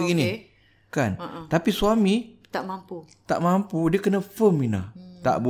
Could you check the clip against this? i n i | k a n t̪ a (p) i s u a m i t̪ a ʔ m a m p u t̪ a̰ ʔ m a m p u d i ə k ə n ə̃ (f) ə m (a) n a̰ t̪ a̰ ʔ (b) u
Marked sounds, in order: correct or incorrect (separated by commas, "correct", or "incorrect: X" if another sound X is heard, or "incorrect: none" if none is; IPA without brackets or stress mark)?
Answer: correct, correct, incorrect: i, correct